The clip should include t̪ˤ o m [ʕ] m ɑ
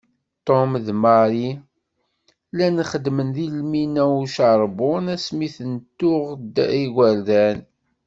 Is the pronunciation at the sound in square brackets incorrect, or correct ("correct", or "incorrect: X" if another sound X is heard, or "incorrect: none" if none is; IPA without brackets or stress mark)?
incorrect: ð